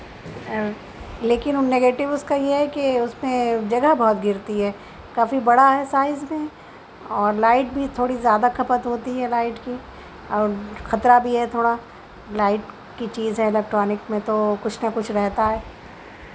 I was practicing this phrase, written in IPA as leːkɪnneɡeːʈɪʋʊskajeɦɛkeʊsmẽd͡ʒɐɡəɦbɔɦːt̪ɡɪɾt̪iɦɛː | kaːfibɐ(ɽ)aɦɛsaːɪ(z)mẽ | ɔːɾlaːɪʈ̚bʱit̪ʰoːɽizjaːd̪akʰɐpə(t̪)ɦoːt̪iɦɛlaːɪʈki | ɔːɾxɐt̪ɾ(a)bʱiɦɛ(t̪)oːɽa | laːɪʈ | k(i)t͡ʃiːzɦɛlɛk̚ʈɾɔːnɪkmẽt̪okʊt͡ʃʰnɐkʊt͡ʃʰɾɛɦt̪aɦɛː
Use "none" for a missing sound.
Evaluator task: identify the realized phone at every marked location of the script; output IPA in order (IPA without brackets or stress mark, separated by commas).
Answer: ɽ, z, t̪, a, t̪ʰ, i